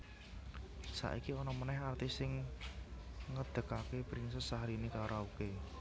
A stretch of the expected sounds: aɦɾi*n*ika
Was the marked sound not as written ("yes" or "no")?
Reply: no